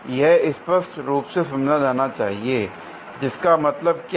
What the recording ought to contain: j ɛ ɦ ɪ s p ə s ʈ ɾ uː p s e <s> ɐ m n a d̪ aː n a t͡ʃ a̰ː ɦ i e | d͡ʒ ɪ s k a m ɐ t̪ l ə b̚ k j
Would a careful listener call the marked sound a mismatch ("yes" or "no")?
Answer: no